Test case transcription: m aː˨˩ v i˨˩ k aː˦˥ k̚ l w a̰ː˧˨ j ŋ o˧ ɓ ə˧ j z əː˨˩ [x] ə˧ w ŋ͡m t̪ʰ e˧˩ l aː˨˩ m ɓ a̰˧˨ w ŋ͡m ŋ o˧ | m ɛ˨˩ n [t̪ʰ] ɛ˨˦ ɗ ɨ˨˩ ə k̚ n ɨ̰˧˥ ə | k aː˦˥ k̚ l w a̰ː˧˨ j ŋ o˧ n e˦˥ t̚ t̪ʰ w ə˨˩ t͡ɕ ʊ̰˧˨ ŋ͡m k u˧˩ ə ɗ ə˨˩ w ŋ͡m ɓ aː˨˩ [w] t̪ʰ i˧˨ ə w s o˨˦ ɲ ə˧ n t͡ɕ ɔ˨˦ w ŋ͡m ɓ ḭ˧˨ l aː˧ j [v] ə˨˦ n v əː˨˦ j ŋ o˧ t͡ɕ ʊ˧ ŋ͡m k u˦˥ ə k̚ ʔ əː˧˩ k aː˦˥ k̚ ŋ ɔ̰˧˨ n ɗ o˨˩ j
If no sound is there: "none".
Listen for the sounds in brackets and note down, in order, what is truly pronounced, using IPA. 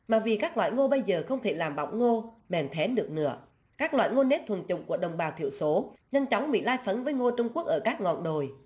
x, t̪ʰ, w, f

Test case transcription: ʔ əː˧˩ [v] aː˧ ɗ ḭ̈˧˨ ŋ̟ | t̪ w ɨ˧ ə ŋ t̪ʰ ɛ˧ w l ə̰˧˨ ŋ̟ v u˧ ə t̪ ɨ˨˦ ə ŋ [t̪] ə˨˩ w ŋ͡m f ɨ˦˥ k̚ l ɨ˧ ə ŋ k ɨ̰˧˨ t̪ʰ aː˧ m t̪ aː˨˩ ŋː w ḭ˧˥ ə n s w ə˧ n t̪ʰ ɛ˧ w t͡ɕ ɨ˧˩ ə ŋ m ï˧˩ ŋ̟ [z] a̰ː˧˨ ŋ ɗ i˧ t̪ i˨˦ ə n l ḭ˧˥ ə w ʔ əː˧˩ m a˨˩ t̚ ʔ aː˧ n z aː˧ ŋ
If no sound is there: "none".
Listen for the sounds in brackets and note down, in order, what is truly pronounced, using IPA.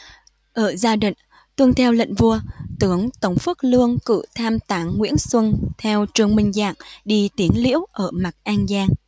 z, t̪, z

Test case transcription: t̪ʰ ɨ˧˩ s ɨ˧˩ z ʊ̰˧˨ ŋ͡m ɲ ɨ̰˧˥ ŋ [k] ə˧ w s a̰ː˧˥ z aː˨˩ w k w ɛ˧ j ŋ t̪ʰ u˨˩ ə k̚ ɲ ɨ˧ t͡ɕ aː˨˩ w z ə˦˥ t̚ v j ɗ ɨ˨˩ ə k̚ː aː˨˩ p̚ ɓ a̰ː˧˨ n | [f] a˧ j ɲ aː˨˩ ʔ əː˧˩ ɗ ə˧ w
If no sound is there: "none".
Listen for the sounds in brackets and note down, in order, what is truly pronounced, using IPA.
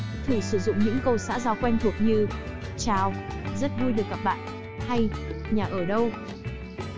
k, h

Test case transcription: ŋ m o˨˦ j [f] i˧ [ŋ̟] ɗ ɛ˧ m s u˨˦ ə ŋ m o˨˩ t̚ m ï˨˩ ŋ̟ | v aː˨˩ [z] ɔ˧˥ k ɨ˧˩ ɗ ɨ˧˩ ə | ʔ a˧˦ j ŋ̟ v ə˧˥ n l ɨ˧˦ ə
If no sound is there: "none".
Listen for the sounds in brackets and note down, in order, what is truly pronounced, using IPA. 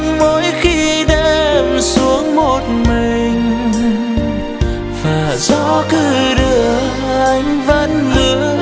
x, none, z

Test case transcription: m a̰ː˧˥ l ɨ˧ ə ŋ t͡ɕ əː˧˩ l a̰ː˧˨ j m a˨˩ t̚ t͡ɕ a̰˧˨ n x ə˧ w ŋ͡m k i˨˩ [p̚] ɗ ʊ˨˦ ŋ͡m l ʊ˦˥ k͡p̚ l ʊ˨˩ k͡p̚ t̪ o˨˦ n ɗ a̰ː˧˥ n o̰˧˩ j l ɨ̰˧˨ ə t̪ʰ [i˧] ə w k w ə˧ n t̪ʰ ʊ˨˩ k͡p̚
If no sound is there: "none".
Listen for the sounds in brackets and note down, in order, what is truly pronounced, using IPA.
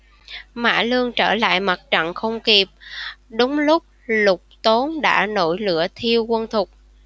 p̚, i˧

